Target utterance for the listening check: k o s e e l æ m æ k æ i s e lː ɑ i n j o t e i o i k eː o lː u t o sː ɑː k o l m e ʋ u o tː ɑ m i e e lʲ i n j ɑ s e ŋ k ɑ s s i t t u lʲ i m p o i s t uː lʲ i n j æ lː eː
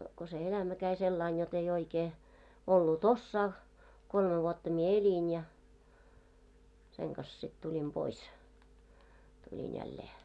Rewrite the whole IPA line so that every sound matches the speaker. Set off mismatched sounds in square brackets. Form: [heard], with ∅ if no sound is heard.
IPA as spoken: k o s e e l æ m æ k æ i s e lː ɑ i n j o t e i o i k eː o lː u t o sː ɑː k o l m e ʋ u o tː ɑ m i e e lʲ i n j ɑ s e ŋ k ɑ s s i t t u lʲ i m p o i s t [u] lʲ i n j æ lː eː